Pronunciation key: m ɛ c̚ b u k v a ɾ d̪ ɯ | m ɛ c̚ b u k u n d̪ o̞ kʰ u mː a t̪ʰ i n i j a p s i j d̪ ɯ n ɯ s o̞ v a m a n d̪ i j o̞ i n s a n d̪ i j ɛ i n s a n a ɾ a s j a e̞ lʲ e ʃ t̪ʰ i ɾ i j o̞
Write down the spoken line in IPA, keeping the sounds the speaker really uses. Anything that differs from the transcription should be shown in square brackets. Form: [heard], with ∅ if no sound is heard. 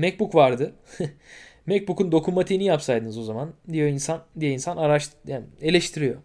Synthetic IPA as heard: m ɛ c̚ b u k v a ɾ d̪ ɯ | m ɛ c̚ b u k u n d̪ o̞ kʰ u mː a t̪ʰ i n i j a p s [a] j d̪ ɯ n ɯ [z] o̞ [z] a m a n d̪ i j o̞ i n s a n d̪ i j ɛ i n s a n a ɾ a [ʃ] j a e̞ lʲ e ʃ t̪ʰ i ɾ i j o̞